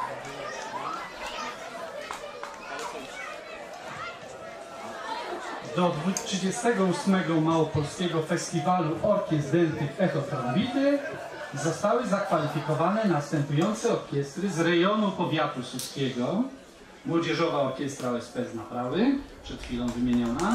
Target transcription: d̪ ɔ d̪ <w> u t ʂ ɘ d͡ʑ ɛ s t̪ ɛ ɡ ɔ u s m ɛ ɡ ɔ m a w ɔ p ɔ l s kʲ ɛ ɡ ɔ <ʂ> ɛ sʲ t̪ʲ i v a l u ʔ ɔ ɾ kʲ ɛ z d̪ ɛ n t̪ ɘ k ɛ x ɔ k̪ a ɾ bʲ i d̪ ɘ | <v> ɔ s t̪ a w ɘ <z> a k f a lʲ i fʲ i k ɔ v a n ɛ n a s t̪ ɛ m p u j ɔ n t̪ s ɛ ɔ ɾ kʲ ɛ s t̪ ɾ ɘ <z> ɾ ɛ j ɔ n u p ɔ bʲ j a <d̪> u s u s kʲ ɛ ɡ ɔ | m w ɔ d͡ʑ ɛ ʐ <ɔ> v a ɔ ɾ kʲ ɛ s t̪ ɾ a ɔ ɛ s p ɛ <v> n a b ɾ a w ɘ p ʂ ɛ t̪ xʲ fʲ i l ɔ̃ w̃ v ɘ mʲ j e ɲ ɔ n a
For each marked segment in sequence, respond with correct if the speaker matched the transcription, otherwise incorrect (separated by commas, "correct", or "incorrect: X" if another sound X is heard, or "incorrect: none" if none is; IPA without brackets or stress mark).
incorrect: v, incorrect: f, incorrect: z, correct, correct, incorrect: t̪, correct, incorrect: z